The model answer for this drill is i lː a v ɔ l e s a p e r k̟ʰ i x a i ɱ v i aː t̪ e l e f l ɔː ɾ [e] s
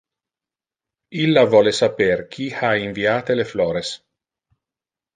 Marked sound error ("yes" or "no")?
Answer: no